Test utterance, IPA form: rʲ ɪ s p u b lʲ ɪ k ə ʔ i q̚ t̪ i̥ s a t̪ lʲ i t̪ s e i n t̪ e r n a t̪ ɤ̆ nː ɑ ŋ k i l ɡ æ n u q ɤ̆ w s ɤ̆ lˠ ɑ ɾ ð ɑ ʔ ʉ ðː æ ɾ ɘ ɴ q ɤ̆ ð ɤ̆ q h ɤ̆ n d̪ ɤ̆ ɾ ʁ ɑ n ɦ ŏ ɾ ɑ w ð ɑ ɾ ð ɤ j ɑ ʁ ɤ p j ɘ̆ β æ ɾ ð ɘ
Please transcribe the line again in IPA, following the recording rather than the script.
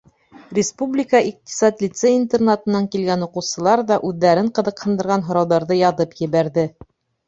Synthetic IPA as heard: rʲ ɪ s p u b lʲ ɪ k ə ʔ i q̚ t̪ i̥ s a t̪ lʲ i t̪ s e i n t̪ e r n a t̪ ɤ̆ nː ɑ ŋ k i l ɡ æ n u q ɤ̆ w s ɤ̆ lˠ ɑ ɾ ð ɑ ʔ ʉ ðː æ ɾ ɘ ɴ q ɤ̆ ð ɤ̆ q h ɤ̆ n d̪ ɤ̆ ɾ ʁ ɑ n ɦ ŏ ɾ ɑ w ð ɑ ɾ ð ɤ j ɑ ð ɤ p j ɘ̆ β æ ɾ ð ɘ